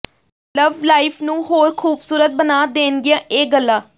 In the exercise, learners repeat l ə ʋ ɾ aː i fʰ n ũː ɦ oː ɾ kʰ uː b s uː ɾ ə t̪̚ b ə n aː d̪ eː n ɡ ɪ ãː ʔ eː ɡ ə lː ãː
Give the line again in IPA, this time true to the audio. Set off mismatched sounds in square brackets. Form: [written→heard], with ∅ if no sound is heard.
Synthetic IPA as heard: l ə ʋ [ɾ→l] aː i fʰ n ũː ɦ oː ɾ kʰ uː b s uː ɾ ə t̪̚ b ə n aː d̪ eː n ɡ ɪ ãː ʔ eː ɡ ə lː [ãː→aː]

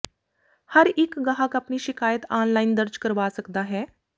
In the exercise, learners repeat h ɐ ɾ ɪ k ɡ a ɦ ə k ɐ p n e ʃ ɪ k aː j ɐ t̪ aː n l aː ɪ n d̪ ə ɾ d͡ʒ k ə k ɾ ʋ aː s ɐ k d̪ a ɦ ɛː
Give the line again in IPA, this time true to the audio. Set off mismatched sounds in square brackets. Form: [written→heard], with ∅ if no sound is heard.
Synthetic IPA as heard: h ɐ ɾ ɪ k ɡ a ɦ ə k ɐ p n [e→i] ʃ ɪ k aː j [ɐ→ə] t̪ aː n l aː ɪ n d̪ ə ɾ d͡ʒ k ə [k→∅] ɾ ʋ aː s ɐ k d̪ a ɦ ɛː

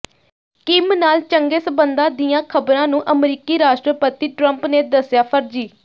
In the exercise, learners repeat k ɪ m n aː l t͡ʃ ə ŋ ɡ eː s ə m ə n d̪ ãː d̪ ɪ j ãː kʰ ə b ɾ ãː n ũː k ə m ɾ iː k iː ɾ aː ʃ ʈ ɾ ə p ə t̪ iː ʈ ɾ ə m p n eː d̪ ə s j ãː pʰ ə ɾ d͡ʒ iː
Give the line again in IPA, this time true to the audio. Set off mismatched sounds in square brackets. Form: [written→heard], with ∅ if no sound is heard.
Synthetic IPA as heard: k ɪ m n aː l t͡ʃ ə ŋ ɡ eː s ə [m→b] ə n d̪ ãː d̪ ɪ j ãː kʰ ə b ɾ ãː n ũː [k→ʔ] ə m ɾ iː k iː ɾ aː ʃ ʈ ɾ ə p ə t̪ iː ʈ ɾ ə m p n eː d̪ ə s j [ãː→aː] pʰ ə ɾ d͡ʒ iː

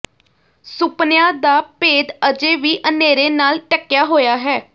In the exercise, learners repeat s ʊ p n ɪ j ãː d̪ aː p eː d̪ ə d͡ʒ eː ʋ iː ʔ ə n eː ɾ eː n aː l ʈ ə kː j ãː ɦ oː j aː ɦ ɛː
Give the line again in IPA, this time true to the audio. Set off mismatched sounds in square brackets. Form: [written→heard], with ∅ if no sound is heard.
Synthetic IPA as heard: s ʊ p n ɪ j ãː d̪ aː p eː d̪ ə d͡ʒ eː ʋ iː ʔ ə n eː ɾ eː n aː l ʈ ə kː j [ãː→aː] ɦ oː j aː ɦ ɛː

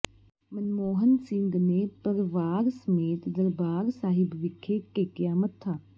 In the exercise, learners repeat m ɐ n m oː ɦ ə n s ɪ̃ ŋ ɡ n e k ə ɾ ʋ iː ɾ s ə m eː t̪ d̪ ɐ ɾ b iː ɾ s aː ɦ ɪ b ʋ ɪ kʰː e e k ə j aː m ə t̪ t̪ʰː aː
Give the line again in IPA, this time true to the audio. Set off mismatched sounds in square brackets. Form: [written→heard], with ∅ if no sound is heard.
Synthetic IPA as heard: m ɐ n m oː ɦ ə n s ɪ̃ ŋ ɡ n e [k→p] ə ɾ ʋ [iː→aː] ɾ s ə m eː t̪ d̪ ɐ ɾ b [iː→aː] ɾ s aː ɦ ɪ b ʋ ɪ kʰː e e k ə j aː m ə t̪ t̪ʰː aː

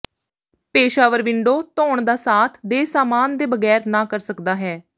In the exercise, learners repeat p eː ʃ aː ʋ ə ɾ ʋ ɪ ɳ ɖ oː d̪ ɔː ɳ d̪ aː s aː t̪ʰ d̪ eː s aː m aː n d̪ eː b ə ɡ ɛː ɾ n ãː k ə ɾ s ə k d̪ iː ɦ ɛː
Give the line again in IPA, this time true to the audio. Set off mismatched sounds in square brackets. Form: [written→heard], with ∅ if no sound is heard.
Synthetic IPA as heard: p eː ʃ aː ʋ ə ɾ ʋ ɪ ɳ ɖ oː [d̪→t̪] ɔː ɳ d̪ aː s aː t̪ʰ d̪ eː s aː m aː n d̪ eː b ə ɡ ɛː ɾ n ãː k ə ɾ s ə k d̪ [iː→aː] ɦ ɛː

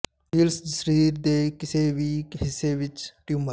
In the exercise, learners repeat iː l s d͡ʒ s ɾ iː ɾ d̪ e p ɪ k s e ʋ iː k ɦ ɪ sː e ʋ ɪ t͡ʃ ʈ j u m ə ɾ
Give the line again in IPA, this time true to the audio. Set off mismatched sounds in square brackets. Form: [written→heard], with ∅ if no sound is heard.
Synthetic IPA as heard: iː l s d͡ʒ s ɾ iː ɾ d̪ e [p→k] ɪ [k→∅] s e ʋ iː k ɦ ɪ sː e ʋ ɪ t͡ʃ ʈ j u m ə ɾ

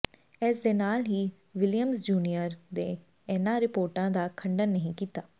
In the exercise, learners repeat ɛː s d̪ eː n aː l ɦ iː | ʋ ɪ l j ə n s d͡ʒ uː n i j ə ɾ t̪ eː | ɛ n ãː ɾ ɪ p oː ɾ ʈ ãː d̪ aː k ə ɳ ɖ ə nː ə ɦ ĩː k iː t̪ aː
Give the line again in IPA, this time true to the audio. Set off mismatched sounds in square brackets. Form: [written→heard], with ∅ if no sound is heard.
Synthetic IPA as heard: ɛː s d̪ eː n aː l ɦ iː | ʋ ɪ l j ə [n→m] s d͡ʒ uː n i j ə ɾ [t̪→d̪] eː | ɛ n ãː ɾ ɪ p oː ɾ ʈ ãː d̪ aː [k→kʰ] ə ɳ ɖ ə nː ə ɦ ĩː k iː t̪ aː

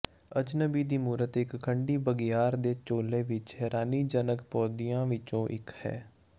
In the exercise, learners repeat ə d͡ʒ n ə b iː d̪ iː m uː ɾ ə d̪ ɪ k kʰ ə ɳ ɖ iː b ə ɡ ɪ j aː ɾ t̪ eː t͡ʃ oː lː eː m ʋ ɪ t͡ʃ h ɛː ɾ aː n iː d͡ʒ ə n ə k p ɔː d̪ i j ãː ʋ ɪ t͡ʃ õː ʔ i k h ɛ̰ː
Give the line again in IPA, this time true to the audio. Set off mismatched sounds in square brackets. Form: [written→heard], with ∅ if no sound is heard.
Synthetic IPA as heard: ə d͡ʒ n ə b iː d̪ iː m uː ɾ ə [d̪→t̪] ɪ k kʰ ə ɳ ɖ iː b ə ɡ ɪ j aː ɾ [t̪→d̪] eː t͡ʃ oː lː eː [m→∅] ʋ ɪ t͡ʃ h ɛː ɾ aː n iː d͡ʒ ə n ə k p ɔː d̪ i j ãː ʋ ɪ t͡ʃ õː ʔ [i→ɪ] k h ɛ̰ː

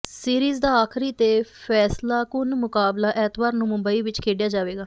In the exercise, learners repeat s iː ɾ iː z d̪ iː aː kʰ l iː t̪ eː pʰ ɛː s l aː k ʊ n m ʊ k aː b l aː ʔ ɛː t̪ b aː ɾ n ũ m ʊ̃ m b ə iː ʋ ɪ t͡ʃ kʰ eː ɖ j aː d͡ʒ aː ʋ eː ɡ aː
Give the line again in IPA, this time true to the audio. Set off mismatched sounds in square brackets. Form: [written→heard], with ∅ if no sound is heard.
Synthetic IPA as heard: s iː ɾ iː z d̪ [iː→aː] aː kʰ [l→ɾ] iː t̪ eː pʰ ɛː s l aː k ʊ n m ʊ k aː b l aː ʔ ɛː t̪ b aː ɾ n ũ m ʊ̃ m b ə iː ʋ ɪ t͡ʃ kʰ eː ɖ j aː d͡ʒ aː ʋ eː ɡ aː

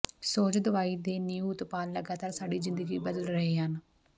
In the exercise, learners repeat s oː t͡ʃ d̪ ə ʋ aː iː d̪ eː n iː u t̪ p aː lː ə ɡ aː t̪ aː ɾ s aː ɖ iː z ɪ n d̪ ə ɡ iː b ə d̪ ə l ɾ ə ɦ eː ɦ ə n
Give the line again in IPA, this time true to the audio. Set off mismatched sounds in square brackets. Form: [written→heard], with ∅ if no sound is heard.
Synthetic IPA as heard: s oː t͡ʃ d̪ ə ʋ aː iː d̪ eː n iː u t̪ p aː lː ə ɡ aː t̪ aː ɾ s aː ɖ iː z ɪ n d̪ ə ɡ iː b ə d̪ ə l ɾ ə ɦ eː ɦ ə n

